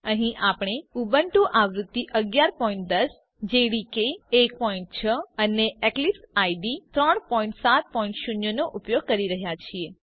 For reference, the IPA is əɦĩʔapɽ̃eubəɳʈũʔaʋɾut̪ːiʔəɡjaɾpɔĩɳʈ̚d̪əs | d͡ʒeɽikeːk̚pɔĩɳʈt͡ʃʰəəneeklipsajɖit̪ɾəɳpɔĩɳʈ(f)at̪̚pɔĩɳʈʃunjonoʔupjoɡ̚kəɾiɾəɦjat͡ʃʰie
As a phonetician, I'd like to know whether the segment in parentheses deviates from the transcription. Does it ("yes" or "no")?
yes